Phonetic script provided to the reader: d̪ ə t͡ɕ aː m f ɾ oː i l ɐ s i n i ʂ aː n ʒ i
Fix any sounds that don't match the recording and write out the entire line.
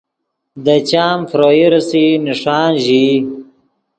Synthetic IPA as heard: d̪ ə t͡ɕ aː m f ɾ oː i ɾ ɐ s i n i ʂ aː n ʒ i